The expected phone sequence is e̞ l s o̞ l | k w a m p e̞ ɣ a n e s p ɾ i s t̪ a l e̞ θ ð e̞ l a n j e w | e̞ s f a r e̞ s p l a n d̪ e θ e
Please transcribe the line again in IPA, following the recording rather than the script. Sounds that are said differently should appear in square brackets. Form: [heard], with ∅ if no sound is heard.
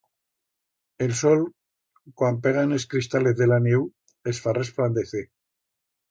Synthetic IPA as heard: e̞ l s o̞ l | k w a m p e̞ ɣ a n e s [k] ɾ i s t̪ a l e̞ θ ð e̞ l a n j e w | e̞ s f a r e̞ s p l a n d̪ e θ e